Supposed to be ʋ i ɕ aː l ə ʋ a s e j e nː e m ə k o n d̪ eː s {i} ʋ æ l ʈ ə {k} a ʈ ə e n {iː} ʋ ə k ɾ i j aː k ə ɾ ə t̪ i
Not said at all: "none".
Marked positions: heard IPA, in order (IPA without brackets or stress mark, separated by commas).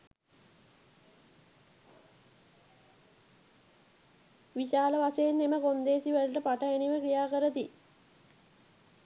i, p, i